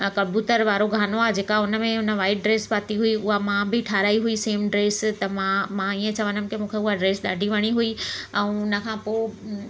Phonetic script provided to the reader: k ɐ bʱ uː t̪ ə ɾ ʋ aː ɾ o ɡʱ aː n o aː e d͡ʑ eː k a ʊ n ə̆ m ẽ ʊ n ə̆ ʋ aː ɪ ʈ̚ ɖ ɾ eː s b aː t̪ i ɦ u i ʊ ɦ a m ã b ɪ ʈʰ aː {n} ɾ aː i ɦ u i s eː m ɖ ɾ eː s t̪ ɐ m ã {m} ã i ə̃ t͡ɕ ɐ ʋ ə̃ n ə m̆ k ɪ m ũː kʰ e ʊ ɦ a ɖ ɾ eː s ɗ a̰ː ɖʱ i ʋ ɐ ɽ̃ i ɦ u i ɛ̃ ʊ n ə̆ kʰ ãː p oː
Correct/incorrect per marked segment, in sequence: incorrect: none, correct

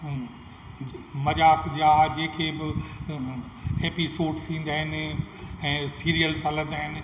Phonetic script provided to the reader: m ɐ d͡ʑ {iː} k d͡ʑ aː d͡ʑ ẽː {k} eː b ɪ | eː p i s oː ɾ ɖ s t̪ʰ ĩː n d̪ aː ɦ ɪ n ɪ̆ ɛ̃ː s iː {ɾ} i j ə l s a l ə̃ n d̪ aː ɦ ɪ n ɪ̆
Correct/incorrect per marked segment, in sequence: incorrect: aː, incorrect: kʰ, correct

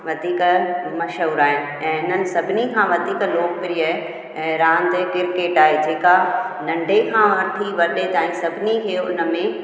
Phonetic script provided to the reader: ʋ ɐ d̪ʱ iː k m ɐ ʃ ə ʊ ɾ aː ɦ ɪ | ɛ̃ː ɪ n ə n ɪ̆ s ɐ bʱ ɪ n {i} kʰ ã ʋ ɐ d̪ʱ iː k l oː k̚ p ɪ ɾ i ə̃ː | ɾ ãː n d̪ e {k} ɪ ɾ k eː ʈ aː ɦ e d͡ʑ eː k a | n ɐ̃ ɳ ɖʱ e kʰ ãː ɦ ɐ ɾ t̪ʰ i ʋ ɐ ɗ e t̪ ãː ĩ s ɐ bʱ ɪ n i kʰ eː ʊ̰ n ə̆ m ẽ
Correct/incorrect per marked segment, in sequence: correct, correct

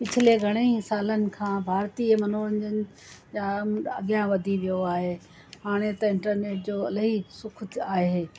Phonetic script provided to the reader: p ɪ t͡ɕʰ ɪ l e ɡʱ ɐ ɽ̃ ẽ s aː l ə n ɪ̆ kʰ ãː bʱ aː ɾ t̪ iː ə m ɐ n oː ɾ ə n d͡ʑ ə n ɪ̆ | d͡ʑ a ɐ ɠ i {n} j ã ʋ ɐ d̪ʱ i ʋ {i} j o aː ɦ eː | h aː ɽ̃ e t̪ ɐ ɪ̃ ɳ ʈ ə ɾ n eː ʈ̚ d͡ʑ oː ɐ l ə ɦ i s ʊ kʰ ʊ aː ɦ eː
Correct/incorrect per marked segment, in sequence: incorrect: none, correct

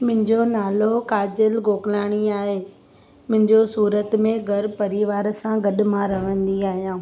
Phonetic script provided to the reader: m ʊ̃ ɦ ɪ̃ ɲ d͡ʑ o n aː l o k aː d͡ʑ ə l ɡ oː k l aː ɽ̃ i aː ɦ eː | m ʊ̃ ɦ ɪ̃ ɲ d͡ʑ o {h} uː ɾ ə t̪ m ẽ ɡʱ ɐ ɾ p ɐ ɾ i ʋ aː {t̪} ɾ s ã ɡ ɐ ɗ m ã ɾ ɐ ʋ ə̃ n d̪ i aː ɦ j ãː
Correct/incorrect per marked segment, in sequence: incorrect: s, incorrect: none

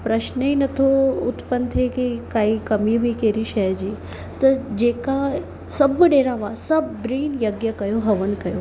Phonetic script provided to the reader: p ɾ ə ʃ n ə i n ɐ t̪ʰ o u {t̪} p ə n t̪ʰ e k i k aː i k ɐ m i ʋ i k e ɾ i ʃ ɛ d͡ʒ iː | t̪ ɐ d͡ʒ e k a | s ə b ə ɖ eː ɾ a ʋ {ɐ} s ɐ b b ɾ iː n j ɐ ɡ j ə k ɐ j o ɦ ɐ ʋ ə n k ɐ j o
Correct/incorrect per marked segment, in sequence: correct, incorrect: a

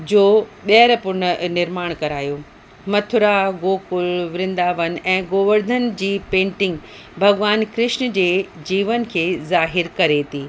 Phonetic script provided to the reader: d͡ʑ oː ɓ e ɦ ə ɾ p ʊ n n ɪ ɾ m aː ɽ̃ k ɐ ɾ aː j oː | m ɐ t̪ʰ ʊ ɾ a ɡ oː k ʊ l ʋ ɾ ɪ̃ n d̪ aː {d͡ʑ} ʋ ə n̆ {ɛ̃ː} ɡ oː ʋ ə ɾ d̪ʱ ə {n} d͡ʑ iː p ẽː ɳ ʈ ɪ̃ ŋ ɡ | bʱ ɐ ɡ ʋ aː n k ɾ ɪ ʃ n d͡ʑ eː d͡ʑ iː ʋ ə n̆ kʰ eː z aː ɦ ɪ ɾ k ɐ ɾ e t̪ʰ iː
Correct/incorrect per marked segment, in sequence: incorrect: none, correct, correct

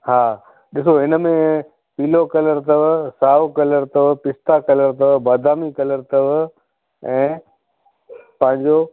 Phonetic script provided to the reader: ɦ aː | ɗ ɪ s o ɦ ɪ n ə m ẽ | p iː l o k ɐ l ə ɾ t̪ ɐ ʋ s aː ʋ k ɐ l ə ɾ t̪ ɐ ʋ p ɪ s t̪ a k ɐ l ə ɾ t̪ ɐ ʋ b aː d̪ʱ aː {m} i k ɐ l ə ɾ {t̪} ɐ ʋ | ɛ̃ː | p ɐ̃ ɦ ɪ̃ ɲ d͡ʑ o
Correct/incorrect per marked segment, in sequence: correct, correct

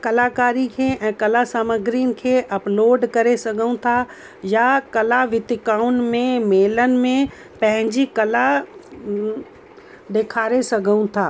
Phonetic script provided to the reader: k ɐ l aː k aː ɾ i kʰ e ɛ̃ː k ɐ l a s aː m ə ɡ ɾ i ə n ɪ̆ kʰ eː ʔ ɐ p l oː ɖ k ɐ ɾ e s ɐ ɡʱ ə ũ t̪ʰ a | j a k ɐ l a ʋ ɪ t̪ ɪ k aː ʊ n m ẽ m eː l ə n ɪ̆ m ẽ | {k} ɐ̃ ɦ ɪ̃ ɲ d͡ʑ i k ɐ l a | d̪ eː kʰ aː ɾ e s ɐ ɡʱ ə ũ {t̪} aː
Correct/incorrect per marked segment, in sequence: incorrect: p, incorrect: t̪ʰ

